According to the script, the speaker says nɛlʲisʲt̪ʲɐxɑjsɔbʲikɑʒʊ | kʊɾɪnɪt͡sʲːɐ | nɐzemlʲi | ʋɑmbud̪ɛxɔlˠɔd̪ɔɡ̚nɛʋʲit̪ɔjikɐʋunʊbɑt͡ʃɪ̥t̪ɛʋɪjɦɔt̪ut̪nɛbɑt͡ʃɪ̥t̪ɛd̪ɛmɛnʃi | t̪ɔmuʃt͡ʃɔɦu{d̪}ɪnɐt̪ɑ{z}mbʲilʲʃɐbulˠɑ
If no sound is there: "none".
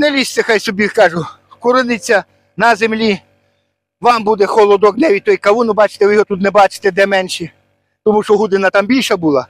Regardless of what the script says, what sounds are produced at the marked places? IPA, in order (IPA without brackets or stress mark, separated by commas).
d̪, none